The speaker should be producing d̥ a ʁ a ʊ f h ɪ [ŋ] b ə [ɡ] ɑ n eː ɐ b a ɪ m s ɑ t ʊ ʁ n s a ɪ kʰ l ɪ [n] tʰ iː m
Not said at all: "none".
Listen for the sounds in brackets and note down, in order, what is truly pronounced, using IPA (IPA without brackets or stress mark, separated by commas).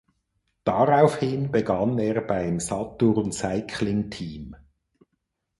n, ɡ, ŋ